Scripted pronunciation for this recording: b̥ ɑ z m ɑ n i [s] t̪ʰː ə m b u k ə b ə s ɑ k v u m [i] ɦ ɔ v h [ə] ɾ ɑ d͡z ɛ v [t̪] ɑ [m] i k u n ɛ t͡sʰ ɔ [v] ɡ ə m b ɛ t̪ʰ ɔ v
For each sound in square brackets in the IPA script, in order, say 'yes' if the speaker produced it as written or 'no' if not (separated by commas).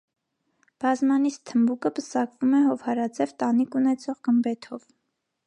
yes, no, no, yes, no, no